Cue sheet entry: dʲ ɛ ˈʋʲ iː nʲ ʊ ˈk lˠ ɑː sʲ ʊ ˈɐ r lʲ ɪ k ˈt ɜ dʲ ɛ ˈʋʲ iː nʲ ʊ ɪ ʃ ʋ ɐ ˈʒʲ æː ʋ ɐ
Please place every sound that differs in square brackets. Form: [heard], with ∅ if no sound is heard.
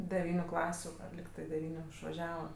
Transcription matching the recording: dʲ ɛ ˈʋʲ iː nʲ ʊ ˈk lˠ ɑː sʲ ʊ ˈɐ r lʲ ɪ k ˈt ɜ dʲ ɛ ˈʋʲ iː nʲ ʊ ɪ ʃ ʋ ɐ ˈʒʲ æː ʋ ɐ